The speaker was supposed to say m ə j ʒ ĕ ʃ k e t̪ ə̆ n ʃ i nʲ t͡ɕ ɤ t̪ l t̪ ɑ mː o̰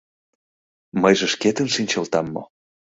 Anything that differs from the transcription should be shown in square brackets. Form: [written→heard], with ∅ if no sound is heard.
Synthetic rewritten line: m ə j ʒ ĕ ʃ k e t̪ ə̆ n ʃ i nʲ t͡ɕ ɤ [t̪→∅] l t̪ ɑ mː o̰